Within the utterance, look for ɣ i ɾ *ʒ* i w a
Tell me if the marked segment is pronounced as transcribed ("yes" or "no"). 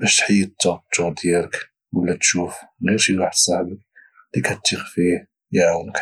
no